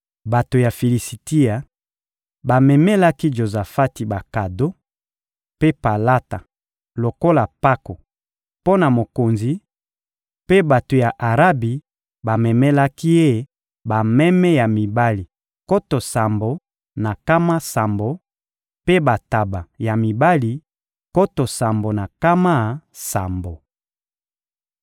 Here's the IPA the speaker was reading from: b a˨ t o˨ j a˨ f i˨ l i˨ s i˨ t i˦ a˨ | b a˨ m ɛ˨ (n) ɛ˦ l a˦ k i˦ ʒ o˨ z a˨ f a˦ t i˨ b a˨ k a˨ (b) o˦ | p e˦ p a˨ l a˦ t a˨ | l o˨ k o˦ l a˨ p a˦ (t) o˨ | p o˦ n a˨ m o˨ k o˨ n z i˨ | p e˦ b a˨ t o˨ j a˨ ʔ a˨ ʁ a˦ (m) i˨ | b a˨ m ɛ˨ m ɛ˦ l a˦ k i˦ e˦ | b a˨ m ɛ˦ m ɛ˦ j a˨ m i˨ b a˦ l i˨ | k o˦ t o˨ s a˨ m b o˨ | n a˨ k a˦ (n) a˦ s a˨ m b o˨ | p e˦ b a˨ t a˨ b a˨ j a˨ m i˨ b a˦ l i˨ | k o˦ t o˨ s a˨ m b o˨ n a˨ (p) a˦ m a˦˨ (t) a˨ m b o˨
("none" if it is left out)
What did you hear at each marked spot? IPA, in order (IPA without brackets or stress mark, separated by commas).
m, d, k, b, m, k, s